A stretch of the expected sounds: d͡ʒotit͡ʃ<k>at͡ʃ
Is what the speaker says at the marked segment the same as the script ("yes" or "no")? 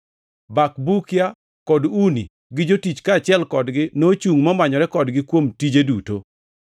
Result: yes